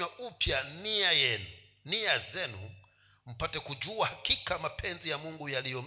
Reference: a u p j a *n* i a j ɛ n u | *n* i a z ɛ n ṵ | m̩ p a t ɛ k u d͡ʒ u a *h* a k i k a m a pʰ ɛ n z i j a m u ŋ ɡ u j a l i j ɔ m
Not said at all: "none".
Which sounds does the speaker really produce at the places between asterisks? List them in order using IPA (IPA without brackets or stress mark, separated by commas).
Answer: n, n, h